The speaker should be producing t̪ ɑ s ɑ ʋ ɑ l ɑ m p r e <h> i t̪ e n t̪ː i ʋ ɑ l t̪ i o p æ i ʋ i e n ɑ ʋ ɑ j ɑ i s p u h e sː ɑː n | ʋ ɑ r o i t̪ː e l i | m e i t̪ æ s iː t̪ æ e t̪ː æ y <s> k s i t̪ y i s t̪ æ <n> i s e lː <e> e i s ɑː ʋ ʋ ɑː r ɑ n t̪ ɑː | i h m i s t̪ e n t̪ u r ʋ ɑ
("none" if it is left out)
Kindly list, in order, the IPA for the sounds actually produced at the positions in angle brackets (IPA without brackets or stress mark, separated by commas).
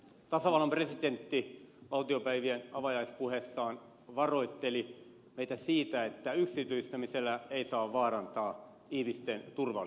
s, none, m, æ